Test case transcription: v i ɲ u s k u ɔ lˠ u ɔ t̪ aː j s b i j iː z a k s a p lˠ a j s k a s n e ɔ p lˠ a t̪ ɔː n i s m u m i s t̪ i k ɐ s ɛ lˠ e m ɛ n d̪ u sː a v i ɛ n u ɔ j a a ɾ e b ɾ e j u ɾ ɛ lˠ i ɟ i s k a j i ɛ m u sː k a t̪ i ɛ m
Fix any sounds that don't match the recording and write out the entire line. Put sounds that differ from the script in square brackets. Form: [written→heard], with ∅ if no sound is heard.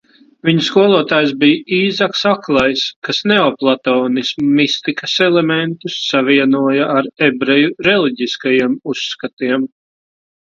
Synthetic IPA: v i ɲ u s k u ɔ lˠ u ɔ t̪ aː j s b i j iː z a k s a [p→k] lˠ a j s k a s n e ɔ p lˠ a t̪ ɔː n i s m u m i s t̪ i k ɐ s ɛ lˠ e m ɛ n [d̪→t̪] u sː a v i ɛ n u ɔ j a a ɾ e b ɾ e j u ɾ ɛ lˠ i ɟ i s k a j i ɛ m u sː k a t̪ i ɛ m

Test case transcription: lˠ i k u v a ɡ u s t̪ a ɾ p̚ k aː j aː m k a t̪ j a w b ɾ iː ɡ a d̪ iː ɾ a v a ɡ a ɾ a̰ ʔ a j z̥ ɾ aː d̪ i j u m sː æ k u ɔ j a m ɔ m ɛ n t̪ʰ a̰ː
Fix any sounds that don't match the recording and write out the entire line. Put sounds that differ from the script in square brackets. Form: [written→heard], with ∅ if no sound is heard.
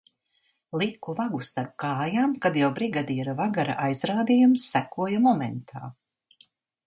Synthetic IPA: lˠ i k u v a ɡ u s t̪ a ɾ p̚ k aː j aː m k a [t̪→d̪] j a w b ɾ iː ɡ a d̪ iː ɾ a v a ɡ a ɾ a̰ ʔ a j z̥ ɾ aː d̪ i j u m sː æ k u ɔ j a m ɔ m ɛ n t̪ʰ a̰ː

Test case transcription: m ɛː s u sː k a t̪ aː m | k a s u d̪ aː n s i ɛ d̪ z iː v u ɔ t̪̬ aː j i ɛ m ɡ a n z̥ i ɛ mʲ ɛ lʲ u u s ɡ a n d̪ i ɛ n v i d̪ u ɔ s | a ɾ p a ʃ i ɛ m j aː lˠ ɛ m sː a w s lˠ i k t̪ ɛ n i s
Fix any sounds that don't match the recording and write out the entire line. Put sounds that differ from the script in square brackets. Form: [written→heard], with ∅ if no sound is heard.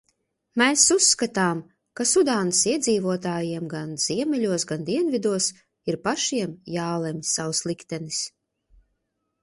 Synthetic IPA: m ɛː s u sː k a t̪ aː m | k a s u d̪ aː n s i ɛ d̪ z iː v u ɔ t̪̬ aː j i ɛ m ɡ a n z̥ i ɛ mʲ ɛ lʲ u [u→ɔ] s ɡ a n d̪ i ɛ n v i d̪ u ɔ s | [a→i] ɾ p a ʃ i ɛ m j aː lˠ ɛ m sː a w s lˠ i k t̪ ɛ n i s

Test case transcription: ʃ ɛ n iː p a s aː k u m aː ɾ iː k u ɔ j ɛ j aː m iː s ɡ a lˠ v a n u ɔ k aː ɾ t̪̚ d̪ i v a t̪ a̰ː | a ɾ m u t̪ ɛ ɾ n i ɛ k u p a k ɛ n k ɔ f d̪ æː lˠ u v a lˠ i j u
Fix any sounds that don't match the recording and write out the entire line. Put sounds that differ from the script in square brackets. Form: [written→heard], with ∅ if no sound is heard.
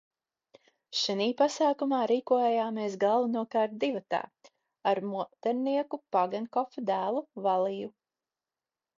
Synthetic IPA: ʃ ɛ n iː p a s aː k u m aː ɾ iː k u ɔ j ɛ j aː m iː s ɡ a lˠ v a n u ɔ k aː ɾ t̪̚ d̪ i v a t̪ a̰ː | a ɾ m u t̪ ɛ ɾ n i ɛ k u p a [k→ɡ] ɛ n k ɔ f d̪ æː lˠ u v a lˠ i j u

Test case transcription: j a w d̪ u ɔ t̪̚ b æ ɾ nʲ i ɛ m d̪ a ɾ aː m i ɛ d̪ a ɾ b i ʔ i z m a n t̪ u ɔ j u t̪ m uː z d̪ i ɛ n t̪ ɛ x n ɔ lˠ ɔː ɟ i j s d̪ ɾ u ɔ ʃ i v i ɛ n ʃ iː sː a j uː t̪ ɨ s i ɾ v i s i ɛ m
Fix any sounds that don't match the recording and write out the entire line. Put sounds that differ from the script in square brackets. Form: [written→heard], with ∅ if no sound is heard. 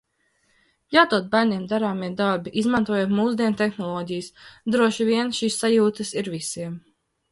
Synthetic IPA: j a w [d̪→t̪] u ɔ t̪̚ b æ ɾ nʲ i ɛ m d̪ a ɾ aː m i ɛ d̪ a ɾ b i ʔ i z m a n t̪ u ɔ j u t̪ m uː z d̪ i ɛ n t̪ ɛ x n ɔ lˠ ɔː ɟ i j s d̪ ɾ u ɔ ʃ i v i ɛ n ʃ iː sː a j uː t̪ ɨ s i ɾ v i s i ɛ m

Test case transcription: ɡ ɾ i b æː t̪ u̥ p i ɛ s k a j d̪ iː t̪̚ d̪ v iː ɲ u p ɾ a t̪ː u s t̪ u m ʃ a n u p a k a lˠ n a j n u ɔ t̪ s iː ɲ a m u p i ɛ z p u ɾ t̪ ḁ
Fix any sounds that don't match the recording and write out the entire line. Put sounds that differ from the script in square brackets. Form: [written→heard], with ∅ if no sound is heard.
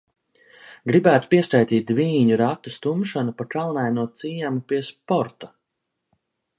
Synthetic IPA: ɡ ɾ i b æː t̪ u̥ p i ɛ s k a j [d̪→t̪] iː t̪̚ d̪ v iː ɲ u [p→∅] ɾ a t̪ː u s t̪ u m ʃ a n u p a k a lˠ n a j n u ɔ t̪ s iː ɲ a m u p i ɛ [z→s] p [u→ɔ] ɾ t̪ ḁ

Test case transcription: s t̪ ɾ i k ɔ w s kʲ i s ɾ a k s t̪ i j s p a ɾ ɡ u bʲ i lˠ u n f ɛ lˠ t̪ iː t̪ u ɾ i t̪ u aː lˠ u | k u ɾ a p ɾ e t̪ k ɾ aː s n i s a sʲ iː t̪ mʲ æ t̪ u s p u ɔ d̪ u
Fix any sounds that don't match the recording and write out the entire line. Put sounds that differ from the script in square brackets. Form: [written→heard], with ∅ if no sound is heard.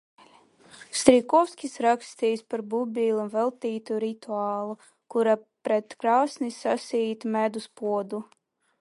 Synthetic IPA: s t̪ ɾ i k ɔ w s kʲ i s ɾ a k s t̪ i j s p a ɾ [ɡ→b] u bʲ i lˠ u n [f→v] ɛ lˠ t̪ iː t̪ u ɾ i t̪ u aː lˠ u | k u ɾ a p ɾ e t̪ k ɾ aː s n i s a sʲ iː t̪ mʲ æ [t̪→d̪] u s p u ɔ d̪ u

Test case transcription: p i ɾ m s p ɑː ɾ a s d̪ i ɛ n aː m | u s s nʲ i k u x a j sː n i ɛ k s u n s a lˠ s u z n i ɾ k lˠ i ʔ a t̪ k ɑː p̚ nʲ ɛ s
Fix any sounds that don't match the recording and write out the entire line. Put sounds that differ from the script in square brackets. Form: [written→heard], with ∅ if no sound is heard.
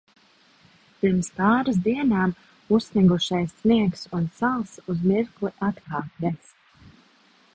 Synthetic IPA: p i ɾ m s p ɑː ɾ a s d̪ i ɛ n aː m | u s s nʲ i [k→ɡ] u [x→ʃ] a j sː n i ɛ k s u n s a lˠ s u z [n→m] i ɾ k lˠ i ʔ a t̪ k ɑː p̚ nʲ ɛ s

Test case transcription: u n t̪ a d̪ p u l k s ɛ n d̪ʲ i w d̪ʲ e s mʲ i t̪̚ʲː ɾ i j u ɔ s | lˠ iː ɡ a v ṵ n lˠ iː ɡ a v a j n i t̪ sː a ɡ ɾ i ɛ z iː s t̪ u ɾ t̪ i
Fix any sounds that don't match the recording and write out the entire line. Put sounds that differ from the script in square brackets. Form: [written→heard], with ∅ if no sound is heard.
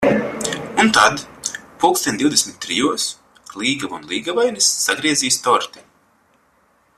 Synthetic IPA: u n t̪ a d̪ p u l k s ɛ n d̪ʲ i w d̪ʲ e s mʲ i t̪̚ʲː ɾ i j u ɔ s | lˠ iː ɡ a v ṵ n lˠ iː ɡ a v a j n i [t̪→∅] sː a ɡ ɾ i ɛ z iː s t̪ [u→ɔ] ɾ t̪ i

